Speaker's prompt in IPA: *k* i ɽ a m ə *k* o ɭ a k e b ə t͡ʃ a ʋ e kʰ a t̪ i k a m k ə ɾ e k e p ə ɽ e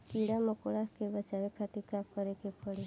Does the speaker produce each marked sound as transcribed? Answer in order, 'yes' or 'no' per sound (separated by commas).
yes, yes